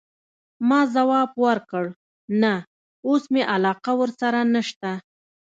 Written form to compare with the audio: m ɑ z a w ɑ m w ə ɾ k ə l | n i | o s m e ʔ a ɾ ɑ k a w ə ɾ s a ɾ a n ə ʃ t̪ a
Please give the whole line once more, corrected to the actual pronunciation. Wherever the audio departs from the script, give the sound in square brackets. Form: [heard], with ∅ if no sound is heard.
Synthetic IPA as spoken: m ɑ z a w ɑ [b] w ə ɾ k ə [ɽ] | n [a] | o s m e ʔ a [l] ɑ [q] a w ə ɾ s a ɾ a n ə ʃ t̪ a